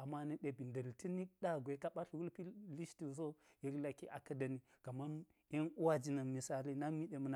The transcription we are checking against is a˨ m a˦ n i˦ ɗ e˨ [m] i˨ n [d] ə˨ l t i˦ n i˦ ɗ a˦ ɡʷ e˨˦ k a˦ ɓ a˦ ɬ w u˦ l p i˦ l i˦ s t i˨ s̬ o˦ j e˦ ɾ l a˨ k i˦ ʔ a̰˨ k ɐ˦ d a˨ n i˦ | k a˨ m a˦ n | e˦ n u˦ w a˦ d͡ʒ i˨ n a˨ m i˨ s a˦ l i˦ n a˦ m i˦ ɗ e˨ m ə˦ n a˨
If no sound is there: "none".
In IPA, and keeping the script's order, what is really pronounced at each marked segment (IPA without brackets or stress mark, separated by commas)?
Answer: b, d